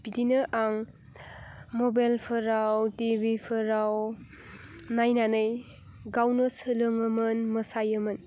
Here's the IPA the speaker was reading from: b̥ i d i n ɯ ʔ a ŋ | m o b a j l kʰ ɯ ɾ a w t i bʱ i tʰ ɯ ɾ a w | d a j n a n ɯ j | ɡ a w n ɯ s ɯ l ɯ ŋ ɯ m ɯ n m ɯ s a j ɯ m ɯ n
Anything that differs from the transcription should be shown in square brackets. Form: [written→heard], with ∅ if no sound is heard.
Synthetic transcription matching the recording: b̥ i d i n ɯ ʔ a ŋ | m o b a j l [kʰ→pʰ] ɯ ɾ a w t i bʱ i [tʰ→pʰ] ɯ ɾ a w | [d→n] a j n a n ɯ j | ɡ a w n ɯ s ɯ l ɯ ŋ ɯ m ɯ n m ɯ s a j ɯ m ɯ n